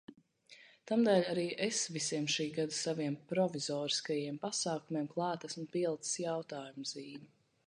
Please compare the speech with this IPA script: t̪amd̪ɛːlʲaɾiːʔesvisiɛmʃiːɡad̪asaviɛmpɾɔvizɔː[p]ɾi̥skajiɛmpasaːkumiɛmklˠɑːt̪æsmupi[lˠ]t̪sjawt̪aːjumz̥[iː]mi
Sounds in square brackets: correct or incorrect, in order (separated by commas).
incorrect, correct, correct